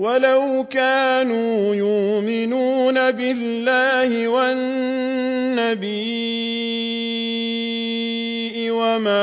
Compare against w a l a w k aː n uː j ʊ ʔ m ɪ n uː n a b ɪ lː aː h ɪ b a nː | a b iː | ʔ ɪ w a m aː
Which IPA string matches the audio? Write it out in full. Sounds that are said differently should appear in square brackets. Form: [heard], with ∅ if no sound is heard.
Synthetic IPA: w a l a w k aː n uː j ʊ ʔ m ɪ n uː n a b ɪ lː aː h ɪ [w] a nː | a b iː | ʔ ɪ w a m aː